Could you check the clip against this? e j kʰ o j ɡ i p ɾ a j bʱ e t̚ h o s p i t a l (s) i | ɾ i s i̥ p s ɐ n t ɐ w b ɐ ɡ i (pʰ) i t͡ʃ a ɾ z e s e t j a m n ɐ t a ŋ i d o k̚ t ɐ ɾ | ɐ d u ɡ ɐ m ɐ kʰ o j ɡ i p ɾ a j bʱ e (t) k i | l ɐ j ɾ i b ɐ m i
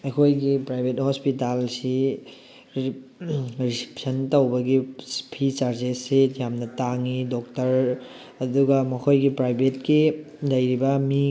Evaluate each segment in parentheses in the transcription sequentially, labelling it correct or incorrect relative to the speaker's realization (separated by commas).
correct, correct, correct